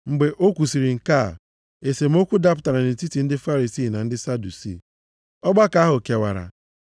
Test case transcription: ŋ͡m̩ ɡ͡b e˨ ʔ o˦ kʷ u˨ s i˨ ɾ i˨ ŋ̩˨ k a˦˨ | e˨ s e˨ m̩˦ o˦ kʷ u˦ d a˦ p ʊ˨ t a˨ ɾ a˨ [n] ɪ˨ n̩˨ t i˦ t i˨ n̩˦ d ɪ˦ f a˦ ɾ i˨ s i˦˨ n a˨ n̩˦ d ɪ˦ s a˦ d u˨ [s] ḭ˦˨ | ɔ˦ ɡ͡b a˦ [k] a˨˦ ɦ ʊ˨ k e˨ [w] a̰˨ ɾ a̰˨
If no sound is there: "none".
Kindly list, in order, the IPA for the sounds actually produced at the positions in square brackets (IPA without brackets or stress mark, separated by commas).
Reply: n, s, k, w